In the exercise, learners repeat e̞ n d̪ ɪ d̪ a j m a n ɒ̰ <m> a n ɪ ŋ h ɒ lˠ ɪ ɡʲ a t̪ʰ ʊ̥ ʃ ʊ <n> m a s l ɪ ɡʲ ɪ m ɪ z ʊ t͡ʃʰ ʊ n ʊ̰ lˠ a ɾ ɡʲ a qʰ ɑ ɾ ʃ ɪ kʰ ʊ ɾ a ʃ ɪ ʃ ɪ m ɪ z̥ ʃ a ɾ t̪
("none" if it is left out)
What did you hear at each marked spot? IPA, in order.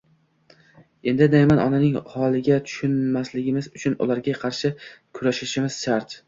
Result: n, n

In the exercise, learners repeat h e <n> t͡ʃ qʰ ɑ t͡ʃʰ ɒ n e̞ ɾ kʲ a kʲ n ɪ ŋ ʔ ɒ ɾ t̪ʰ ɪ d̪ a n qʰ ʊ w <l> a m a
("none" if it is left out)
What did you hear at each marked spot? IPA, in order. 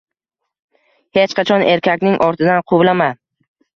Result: none, l

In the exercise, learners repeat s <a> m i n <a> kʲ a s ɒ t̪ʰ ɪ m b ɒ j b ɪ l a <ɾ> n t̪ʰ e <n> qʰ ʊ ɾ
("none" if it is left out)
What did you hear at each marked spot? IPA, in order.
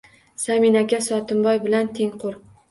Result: a, a, none, ŋ

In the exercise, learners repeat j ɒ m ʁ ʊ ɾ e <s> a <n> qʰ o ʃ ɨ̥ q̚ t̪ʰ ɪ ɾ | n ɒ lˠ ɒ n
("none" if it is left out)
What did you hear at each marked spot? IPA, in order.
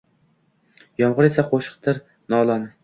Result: s, none

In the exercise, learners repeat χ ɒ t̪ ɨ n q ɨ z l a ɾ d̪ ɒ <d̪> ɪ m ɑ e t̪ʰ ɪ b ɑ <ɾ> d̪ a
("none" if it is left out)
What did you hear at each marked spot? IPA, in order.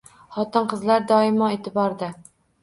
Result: none, ɾ

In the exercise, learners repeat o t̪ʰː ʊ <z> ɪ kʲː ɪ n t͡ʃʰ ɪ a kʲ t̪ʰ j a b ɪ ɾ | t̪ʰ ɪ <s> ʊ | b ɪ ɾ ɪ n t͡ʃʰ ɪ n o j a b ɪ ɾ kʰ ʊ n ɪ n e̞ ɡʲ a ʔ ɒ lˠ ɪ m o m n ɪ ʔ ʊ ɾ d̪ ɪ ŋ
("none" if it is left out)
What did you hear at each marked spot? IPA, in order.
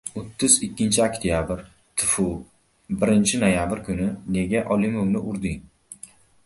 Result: z, f

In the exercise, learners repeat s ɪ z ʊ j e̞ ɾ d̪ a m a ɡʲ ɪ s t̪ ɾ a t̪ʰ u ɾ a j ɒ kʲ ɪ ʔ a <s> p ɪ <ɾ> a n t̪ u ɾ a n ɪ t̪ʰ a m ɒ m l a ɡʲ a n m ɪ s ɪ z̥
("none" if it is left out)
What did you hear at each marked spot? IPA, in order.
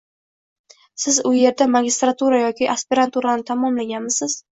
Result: s, ɾ

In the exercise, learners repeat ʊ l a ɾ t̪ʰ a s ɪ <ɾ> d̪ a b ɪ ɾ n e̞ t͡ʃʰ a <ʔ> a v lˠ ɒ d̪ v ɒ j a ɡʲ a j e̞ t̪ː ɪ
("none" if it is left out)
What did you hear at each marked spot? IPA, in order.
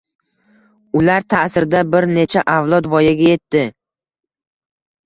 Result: ɾ, ʔ

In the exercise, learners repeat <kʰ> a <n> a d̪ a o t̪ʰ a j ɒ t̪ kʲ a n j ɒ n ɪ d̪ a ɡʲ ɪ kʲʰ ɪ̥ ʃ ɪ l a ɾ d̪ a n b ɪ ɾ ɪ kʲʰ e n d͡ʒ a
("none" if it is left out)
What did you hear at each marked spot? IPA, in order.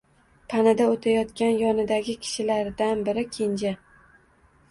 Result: pʰ, n

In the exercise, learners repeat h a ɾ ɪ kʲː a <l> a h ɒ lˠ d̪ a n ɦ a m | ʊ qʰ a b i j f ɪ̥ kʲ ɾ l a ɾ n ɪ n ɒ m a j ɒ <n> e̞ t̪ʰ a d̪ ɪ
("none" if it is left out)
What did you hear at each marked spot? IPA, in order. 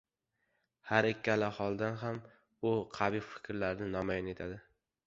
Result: l, n

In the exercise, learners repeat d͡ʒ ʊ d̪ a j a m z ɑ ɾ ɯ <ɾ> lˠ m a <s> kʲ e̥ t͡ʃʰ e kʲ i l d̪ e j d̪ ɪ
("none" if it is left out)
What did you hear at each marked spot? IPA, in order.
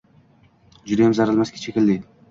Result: none, s

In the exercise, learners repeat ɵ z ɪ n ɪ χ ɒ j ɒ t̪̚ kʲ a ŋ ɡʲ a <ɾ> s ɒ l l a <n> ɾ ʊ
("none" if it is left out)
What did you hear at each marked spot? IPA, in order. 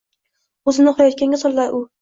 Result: none, none

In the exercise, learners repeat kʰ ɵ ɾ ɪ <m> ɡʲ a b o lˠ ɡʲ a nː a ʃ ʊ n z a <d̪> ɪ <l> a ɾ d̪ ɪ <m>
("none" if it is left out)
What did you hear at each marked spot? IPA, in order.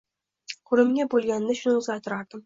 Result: m, t̪, ɾ, m

